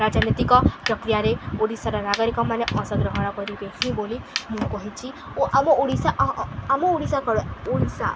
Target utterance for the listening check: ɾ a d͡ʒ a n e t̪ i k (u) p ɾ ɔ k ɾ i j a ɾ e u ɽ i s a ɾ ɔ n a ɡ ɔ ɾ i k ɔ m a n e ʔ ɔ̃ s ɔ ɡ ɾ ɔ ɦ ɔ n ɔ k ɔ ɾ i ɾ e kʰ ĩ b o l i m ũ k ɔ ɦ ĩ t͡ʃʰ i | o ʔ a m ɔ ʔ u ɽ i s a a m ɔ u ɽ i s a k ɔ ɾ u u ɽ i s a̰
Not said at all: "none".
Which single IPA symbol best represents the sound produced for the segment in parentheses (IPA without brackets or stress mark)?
ɔ